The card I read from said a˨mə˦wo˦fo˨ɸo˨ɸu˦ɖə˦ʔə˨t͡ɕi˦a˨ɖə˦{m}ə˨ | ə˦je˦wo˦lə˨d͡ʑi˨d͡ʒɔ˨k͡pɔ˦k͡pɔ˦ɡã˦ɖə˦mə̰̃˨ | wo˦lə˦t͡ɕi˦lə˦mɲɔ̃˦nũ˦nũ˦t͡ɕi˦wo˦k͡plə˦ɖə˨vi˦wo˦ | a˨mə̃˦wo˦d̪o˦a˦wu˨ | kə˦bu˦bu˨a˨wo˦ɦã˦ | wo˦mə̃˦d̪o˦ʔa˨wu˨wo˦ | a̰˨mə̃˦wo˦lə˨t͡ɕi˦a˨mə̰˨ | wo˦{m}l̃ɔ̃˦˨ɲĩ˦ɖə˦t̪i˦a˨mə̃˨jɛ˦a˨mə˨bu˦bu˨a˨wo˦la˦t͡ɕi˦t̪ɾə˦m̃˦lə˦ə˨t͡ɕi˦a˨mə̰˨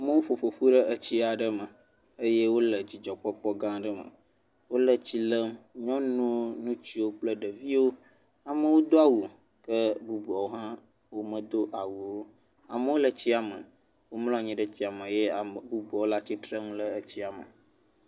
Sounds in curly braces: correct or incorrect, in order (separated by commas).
correct, correct